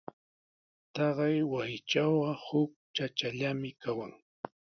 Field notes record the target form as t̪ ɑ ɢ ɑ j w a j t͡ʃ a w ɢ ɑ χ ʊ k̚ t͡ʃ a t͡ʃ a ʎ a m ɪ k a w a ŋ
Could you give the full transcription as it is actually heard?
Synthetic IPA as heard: t̪ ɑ ɢ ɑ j w a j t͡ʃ a w ɢ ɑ h ʊ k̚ t͡ʃ a t͡ʃ a ʎ a m ɪ k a w a ŋ